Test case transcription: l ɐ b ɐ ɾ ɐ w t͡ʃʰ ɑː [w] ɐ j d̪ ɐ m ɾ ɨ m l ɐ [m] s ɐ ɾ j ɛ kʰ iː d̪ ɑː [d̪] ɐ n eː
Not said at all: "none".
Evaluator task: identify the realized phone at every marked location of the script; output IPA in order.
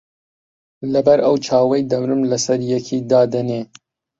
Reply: w, none, d̪

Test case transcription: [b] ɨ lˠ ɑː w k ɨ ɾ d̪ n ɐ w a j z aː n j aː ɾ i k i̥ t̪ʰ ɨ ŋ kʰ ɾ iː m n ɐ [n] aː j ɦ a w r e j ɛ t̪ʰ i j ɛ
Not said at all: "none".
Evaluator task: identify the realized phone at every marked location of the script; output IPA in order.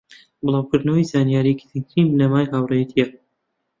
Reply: b, m

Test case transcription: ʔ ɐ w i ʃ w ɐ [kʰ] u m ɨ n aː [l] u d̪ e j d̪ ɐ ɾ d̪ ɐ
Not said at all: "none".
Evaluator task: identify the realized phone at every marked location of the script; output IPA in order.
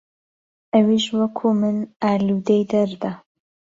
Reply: kʰ, l

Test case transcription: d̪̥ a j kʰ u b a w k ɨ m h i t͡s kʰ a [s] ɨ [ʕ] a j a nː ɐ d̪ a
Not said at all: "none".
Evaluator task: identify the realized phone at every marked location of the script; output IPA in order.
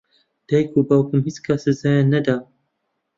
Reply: s, z

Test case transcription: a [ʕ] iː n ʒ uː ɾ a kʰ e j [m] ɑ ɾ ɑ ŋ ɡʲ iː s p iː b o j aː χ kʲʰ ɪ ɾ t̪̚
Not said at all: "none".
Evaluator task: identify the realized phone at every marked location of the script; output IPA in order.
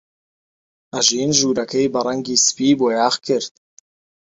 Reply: ʒ, b

